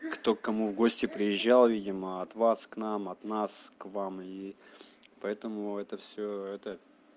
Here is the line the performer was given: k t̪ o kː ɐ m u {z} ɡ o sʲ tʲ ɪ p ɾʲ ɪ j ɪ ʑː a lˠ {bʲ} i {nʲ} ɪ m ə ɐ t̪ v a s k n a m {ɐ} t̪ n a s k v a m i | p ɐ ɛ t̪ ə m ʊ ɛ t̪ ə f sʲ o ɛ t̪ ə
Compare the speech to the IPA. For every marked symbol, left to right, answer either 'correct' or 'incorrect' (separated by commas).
incorrect, incorrect, incorrect, correct